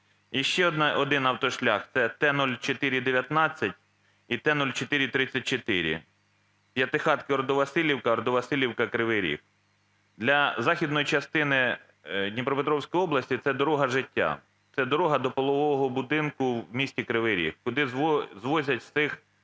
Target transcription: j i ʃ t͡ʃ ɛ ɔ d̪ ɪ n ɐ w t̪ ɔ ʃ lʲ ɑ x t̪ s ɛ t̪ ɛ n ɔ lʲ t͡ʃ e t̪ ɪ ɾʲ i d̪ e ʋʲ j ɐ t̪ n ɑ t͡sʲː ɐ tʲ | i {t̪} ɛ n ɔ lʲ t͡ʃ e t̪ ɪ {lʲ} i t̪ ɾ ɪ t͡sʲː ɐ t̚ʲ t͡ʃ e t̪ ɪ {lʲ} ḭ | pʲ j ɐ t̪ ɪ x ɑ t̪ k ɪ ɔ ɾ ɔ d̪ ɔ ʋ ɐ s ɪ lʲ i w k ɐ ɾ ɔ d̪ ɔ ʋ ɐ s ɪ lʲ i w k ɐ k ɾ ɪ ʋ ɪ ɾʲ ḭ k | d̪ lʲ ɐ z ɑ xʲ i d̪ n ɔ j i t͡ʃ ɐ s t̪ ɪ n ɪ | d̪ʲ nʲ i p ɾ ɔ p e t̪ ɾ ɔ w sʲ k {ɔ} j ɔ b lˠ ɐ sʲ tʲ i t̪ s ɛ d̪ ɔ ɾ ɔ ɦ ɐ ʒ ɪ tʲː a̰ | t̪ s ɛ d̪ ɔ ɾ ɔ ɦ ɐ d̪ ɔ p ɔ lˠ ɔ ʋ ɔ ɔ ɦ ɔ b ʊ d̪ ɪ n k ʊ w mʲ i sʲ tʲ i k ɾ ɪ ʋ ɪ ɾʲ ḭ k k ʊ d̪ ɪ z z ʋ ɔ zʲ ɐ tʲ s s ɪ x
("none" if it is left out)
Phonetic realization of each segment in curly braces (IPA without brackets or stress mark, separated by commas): t̪, ɾʲ, ɾʲ, ɔ